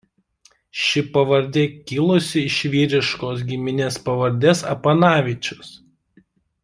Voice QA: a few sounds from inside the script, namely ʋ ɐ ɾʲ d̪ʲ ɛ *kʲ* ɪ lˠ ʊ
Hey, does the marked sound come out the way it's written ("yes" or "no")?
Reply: yes